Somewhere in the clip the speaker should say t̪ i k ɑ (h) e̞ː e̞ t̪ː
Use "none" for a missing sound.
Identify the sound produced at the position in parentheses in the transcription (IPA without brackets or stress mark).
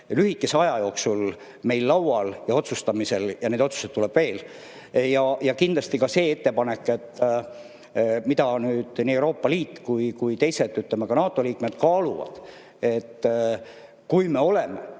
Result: s